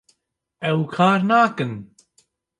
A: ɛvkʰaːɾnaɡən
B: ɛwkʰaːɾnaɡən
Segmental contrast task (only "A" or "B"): B